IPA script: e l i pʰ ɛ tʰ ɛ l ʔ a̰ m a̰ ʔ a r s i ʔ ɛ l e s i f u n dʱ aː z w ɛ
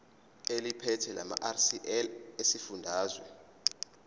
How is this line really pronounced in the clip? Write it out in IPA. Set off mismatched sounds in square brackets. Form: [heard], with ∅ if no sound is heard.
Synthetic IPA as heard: e l i pʰ ɛ tʰ ɛ l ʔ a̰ m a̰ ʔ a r s i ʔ ɛ l e s i f u n dʱ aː z w ɛ